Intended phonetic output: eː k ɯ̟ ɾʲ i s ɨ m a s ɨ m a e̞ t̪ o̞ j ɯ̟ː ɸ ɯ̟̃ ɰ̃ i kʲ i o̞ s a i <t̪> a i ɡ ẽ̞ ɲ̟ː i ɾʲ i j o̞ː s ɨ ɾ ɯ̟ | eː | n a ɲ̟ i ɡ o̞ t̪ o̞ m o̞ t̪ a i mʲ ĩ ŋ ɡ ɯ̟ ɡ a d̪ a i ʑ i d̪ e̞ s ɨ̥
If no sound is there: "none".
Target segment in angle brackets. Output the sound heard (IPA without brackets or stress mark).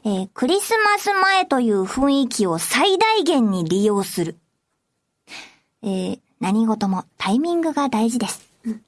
d̪